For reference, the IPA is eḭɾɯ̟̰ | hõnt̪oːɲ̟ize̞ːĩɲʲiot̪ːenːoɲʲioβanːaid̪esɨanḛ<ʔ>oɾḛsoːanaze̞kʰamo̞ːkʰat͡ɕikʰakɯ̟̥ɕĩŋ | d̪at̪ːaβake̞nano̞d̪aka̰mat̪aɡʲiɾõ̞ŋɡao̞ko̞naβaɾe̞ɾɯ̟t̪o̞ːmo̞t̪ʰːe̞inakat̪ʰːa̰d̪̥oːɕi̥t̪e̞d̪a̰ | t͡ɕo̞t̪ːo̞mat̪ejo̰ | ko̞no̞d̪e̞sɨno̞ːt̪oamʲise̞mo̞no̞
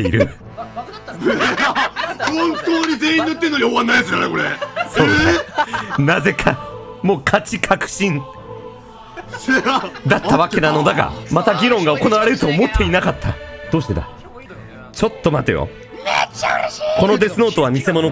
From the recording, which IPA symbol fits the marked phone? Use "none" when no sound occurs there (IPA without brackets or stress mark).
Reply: k